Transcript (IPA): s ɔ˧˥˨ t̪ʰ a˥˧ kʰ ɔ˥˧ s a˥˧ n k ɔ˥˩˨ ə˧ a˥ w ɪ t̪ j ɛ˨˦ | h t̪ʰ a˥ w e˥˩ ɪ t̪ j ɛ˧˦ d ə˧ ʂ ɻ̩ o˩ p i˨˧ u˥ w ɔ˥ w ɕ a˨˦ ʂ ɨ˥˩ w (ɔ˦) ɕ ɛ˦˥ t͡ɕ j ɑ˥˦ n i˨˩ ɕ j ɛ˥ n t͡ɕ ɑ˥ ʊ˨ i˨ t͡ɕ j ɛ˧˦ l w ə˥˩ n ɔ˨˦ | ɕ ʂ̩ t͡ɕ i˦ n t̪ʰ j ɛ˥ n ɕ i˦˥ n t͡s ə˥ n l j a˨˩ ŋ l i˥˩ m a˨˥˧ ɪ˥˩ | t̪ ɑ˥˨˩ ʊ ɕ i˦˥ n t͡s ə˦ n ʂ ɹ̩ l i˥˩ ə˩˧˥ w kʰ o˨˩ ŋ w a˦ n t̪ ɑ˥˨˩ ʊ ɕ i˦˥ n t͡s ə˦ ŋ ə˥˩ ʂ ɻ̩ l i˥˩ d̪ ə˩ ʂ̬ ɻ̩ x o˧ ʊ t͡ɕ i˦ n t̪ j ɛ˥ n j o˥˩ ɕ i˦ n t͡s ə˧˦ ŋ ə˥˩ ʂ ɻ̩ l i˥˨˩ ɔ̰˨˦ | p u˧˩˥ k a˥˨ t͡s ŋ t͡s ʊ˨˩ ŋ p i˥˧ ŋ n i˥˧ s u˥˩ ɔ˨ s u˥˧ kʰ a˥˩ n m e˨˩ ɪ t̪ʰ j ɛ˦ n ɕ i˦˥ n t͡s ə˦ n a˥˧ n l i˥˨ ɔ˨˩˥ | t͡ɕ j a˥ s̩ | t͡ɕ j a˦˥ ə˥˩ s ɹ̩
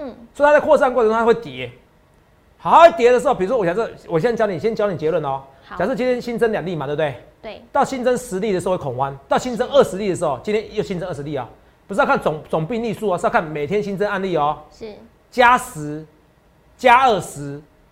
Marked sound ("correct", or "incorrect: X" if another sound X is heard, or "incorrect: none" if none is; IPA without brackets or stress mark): incorrect: ɔ˨˩